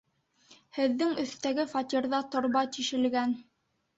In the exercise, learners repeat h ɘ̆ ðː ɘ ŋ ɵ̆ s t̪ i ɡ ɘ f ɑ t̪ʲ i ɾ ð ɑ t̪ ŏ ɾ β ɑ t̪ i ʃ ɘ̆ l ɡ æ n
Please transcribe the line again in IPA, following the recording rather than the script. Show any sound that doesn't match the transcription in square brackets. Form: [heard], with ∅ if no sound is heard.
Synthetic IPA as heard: h ɘ̆ ðː ɘ ŋ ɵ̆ [θ] t̪ [æ] ɡ ɘ f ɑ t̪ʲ i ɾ ð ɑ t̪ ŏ ɾ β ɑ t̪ i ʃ ɘ̆ l ɡ æ n